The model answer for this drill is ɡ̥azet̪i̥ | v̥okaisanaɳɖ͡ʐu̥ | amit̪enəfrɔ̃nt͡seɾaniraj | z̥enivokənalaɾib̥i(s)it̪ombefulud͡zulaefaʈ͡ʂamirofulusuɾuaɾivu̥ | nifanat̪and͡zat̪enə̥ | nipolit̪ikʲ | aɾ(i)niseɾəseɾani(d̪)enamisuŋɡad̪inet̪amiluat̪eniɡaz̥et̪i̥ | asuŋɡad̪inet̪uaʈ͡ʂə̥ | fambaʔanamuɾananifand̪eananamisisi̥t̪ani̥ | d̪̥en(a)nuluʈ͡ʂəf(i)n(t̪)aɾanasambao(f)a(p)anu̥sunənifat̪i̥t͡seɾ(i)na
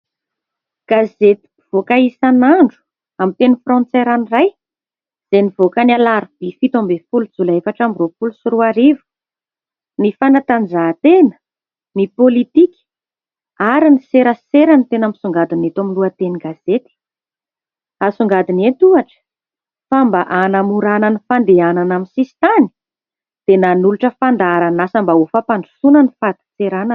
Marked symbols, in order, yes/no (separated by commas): no, yes, no, yes, no, no, yes, yes, no